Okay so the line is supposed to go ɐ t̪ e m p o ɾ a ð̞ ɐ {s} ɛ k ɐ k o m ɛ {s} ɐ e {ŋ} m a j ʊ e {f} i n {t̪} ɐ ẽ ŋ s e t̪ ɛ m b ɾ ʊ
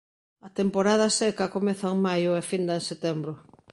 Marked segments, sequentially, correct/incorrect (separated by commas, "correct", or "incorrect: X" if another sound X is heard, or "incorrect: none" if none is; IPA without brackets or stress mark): correct, incorrect: θ, correct, correct, incorrect: d̪